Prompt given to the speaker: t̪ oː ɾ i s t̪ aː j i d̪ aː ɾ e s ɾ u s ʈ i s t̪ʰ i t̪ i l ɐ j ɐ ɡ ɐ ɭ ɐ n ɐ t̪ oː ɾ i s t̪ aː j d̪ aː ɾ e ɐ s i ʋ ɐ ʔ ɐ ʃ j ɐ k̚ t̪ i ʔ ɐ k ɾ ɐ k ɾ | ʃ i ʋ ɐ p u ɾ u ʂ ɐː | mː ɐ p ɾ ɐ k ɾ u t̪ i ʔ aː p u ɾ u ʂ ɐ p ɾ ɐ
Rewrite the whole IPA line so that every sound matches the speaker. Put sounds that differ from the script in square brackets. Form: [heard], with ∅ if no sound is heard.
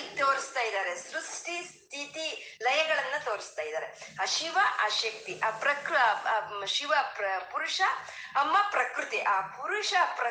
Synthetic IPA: t̪ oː ɾ i s t̪ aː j i d̪ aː ɾ e s ɾ u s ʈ i s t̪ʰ i t̪ i l ɐ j ɐ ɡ ɐ ɭ ɐ [nː] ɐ t̪ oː ɾ i s t̪ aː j d̪ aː ɾ e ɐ [ʃ] i ʋ ɐ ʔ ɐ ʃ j ɐ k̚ t̪ i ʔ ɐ [p] ɾ ɐ k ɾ | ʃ i ʋ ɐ p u ɾ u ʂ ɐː | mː ɐ p ɾ ɐ k ɾ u t̪ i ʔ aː p u ɾ u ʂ ɐ p ɾ ɐ